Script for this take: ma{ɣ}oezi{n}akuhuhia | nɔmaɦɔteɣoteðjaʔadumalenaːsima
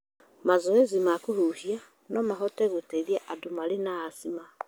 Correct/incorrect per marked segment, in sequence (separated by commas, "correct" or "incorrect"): incorrect, incorrect